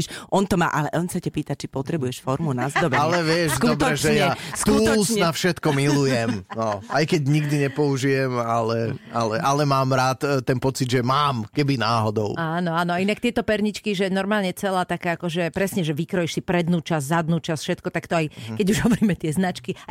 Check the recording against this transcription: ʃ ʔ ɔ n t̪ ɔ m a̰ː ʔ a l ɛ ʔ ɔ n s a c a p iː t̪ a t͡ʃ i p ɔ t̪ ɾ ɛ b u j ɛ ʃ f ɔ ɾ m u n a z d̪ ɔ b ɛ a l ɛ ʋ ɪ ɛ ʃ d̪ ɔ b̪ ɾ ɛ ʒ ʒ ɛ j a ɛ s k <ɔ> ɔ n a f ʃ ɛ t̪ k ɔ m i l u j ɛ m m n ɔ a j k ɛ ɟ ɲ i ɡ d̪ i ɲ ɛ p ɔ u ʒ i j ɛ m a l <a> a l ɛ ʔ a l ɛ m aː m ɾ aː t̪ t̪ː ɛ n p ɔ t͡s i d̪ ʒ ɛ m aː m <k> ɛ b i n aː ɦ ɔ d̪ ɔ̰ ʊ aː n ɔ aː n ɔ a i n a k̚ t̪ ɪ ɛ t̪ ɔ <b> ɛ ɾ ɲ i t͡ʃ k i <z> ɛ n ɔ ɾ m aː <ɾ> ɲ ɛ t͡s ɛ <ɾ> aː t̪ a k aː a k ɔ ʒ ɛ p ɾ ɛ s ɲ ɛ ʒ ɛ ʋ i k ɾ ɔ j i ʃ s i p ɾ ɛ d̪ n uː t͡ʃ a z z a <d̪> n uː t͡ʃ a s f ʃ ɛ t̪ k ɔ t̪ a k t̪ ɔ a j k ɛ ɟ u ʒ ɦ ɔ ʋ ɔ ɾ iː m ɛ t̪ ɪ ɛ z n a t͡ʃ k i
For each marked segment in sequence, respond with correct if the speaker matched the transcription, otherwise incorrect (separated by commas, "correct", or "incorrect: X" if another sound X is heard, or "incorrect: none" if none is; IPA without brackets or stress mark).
incorrect: u, incorrect: ɛ, correct, incorrect: p, incorrect: ʒ, incorrect: l, incorrect: l, correct